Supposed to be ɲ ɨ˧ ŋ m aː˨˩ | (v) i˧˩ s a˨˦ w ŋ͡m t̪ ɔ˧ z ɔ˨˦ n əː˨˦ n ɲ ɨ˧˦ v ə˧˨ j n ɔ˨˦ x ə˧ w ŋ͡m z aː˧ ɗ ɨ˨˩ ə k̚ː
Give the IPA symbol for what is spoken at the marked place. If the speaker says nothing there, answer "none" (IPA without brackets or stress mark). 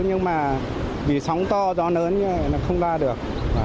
v